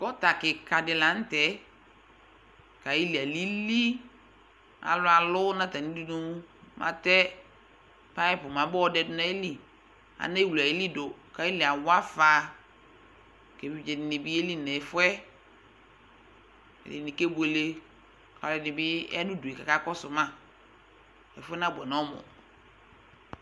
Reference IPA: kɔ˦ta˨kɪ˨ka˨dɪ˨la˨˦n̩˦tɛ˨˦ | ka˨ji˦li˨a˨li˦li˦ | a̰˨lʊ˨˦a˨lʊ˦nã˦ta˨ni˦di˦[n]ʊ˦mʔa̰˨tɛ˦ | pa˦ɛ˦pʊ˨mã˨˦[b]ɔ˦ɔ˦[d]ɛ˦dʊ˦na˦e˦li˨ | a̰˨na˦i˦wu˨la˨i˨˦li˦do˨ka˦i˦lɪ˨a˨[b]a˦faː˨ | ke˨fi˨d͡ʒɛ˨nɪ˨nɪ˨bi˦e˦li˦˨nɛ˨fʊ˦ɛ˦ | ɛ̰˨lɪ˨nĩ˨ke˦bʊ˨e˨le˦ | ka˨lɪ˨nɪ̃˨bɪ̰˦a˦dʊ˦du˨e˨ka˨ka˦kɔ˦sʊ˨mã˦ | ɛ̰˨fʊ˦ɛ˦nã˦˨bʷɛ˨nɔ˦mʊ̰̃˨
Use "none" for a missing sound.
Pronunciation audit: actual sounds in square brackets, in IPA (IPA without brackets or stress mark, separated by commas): n, b, d, w